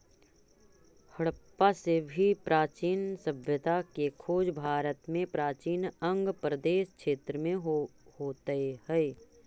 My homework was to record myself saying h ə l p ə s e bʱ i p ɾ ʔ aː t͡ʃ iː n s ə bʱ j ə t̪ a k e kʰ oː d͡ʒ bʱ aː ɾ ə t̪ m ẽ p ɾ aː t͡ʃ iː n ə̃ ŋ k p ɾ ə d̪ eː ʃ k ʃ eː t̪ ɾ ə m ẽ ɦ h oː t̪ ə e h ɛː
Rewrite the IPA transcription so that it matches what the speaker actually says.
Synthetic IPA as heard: h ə ɽ p a s e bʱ i p ɾ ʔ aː t͡ʃ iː n s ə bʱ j ə t̪ a k e kʰ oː d͡ʒ bʱ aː ɾ ə t̪ m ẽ p ɾ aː t͡ʃ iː n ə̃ ŋ ɡ p ɾ ə d̪ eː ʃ k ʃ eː t̪ ɾ ə m ẽ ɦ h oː t̪ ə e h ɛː